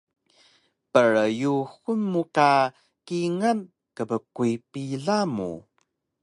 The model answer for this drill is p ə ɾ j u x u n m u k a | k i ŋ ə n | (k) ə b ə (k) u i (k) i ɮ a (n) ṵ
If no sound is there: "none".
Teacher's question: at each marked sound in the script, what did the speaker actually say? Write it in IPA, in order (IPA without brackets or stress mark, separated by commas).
k, k, p, m